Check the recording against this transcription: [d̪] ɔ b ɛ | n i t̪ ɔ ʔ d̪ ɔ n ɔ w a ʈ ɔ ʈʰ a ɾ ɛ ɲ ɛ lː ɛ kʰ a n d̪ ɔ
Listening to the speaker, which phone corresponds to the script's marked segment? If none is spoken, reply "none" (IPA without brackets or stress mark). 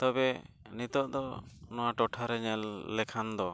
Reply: t̪